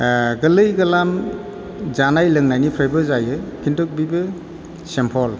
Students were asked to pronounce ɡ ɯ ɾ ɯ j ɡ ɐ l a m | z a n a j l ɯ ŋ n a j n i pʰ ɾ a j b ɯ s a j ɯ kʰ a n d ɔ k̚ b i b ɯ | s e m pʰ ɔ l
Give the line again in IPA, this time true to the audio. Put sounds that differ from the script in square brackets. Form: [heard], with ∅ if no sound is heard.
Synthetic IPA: ɡ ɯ [l] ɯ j ɡ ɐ l a m | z a n a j l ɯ ŋ n a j n i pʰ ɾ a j b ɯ [z] a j ɯ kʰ [i] n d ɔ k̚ b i b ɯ | s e m pʰ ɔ l